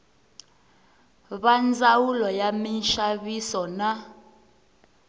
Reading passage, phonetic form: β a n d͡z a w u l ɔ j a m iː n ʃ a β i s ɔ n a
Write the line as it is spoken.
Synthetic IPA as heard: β a n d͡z a w u l ɔ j a m i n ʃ a β i s ɔ n a